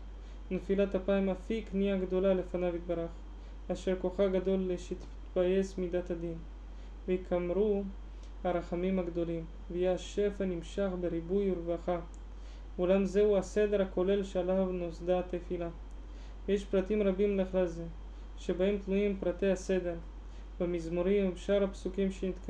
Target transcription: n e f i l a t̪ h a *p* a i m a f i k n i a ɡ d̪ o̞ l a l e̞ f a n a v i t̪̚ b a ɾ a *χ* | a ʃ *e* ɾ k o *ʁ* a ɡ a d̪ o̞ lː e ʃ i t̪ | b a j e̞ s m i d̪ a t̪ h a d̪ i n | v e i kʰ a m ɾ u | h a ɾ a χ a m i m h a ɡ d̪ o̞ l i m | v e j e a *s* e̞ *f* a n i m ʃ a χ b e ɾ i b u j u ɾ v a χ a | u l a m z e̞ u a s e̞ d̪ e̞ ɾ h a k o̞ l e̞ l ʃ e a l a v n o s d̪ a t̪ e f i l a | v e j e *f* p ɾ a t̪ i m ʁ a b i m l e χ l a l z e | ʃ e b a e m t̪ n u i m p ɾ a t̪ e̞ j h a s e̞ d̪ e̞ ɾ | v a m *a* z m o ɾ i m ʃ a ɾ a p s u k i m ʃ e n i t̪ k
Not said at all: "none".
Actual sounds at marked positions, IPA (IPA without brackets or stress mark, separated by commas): p, χ, e, χ, ʃ, f, ʃ, i